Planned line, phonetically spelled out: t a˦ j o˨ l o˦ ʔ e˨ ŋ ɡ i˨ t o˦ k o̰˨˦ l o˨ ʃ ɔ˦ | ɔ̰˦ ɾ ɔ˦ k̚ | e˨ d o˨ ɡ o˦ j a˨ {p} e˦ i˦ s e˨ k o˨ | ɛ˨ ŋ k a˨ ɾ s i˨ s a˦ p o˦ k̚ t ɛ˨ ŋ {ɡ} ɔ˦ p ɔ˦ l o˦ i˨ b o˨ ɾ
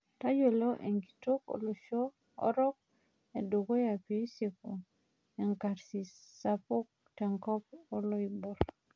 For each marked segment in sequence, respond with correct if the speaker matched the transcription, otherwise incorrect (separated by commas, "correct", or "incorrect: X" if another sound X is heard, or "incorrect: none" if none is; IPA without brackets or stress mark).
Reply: correct, incorrect: k